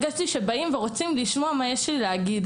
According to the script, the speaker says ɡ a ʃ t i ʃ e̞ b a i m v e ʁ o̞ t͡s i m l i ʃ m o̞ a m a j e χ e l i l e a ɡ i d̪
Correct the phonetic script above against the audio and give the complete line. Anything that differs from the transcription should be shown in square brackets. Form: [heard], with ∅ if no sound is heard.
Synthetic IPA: ɡ a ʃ t i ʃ e̞ b a i m v e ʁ o̞ t͡s i m l i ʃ m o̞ a m a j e [ʃ] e l i l e a ɡ i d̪